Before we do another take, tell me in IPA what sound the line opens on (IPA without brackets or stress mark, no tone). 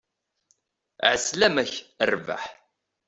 ʕ